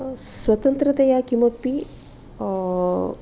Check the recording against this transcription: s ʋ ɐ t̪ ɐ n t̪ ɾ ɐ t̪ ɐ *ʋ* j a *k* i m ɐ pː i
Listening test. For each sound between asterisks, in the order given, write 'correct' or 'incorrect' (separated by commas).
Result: incorrect, correct